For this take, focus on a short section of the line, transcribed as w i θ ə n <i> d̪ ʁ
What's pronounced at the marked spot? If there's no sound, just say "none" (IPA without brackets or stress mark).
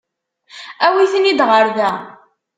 i